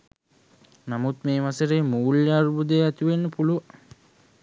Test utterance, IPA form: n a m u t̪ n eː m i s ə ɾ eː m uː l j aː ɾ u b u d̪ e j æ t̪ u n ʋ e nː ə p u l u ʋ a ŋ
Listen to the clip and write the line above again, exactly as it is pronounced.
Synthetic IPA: n a m u t̪ m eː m a s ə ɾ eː m uː l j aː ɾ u b u d̪ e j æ t̪ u ʋ e nː ə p u l u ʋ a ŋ

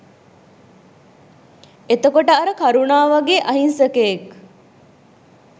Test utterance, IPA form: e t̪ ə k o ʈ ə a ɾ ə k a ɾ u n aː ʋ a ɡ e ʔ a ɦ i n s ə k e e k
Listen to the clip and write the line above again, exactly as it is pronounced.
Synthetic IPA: e t̪ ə k o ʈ ə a ɾ ə k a ɾ u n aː ʋ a ɡ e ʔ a ɦ i n s ə k e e k

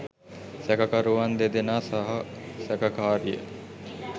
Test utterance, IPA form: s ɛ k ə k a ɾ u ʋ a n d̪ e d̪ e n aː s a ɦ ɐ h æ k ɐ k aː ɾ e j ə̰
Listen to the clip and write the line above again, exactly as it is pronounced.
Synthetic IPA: s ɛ k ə k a ɾ u ʋ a n d̪ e d̪ e n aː s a ɦ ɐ s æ k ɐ k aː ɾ i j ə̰

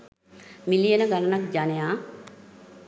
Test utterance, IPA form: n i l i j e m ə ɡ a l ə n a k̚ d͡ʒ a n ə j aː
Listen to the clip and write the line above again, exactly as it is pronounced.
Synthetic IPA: m i l i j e n ə ɡ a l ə n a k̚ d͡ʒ a n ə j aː

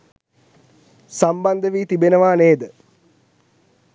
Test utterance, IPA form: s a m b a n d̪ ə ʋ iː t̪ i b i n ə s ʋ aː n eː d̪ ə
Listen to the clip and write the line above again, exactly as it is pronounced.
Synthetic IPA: s a m b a n d̪ ə ʋ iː t̪ i b e n ə ʋ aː n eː d̪ ə

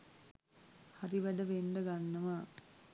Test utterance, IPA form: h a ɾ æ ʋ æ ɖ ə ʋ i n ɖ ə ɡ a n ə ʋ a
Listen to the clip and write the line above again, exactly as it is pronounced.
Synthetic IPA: h a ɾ i ʋ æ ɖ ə ʋ e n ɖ ə ɡ a nː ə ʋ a

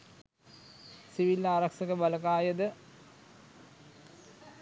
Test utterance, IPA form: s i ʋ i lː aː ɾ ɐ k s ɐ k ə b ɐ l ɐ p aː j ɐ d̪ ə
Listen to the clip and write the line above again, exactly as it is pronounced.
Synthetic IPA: s i ʋ i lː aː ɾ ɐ k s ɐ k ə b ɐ l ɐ k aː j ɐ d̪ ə

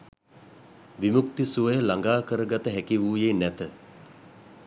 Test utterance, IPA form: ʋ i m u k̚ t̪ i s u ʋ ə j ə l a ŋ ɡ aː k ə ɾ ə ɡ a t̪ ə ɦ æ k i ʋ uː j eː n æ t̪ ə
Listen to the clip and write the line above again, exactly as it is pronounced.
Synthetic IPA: ʋ i m u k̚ t̪ i s u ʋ ə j ə l a ŋ ɡ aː k ə ɾ ə ɡ a t̪ ə ɦ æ k i ʋ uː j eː n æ t̪ ə

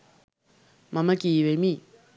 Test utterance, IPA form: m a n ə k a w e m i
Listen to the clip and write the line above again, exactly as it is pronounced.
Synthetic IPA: m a m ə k i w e m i

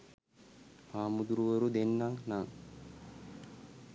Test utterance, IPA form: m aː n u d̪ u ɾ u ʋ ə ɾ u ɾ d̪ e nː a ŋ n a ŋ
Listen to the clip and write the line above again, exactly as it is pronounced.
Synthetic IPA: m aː m u d̪ u ɾ u ʋ ə ɾ u d̪ e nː a ŋ n a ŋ

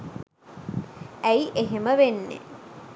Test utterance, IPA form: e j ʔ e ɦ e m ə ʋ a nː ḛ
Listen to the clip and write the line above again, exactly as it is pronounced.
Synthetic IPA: æ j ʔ e ɦ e m ə ʋ e nː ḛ

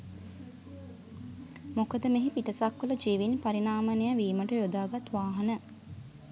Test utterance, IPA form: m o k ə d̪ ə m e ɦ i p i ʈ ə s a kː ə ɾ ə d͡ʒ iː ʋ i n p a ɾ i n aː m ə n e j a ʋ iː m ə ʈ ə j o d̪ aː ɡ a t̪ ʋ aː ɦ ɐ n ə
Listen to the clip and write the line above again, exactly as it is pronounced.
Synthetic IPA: m o k ə d̪ ə m e ɦ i p i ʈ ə s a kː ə l ə d͡ʒ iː ʋ i n p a ɾ i n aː m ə n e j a ʋ iː m ə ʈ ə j o d̪ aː ɡ a t̪ ʋ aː ɦ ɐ n ə

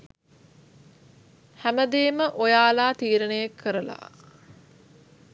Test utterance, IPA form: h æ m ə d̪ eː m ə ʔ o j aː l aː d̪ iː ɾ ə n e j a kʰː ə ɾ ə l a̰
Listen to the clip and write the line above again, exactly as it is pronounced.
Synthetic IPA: h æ m ə d̪ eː m ə ʔ o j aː l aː t̪ iː ɾ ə n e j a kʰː ə ɾ ə l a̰

